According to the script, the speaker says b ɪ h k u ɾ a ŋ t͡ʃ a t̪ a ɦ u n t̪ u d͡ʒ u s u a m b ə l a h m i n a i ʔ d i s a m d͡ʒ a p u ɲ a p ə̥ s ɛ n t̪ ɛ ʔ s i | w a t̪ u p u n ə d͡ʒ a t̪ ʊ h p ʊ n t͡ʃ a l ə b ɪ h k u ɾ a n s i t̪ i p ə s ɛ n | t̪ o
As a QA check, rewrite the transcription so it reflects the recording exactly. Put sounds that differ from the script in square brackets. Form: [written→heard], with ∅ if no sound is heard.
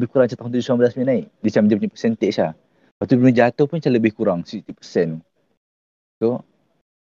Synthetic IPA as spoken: b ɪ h k u ɾ a ŋ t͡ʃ a t̪ a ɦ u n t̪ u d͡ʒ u s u a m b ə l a [h→s] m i n a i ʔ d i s a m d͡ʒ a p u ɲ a p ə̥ s ɛ n t̪ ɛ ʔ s [i→a] | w a t̪ u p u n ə d͡ʒ a t̪ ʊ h p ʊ n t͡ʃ a l ə b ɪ h k u ɾ a [n→ŋ] s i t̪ i p ə s ɛ n | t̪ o